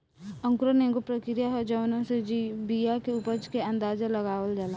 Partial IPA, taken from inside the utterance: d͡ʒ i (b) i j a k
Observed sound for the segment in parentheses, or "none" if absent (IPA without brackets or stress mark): b